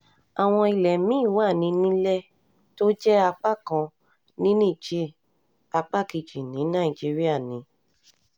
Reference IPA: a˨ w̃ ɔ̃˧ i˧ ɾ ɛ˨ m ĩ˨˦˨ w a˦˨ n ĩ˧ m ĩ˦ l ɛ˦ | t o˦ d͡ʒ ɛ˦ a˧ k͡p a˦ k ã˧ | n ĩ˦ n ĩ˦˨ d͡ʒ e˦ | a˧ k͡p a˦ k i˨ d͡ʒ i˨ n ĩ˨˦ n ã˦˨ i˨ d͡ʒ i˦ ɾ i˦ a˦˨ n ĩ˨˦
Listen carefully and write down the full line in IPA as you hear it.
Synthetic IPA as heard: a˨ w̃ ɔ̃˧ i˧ l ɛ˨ m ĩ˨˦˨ w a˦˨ n ĩ˧ n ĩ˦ l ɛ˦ | t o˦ d͡ʒ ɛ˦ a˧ k͡p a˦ k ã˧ | n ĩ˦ n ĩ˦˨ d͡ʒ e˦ | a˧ k͡p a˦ k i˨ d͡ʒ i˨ n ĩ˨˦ n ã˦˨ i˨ d͡ʒ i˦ ɾ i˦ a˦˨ n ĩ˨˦

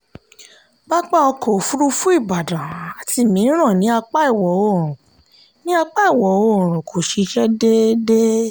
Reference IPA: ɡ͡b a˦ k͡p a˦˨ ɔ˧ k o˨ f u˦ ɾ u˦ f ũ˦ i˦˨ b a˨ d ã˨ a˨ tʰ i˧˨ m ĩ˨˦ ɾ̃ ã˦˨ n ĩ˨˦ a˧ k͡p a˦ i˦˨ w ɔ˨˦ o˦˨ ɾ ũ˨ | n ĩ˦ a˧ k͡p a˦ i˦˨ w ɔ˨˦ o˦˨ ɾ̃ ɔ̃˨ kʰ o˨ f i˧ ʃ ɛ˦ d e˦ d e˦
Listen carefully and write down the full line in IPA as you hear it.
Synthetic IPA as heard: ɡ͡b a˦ k͡p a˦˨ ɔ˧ k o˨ f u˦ ɾ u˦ f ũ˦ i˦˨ b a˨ d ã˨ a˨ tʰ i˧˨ m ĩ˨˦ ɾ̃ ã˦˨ n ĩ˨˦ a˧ k͡p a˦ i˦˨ w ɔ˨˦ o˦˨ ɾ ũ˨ | n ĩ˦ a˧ k͡p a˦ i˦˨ w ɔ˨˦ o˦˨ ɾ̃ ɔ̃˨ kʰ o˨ ʃ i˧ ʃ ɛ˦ d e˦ d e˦

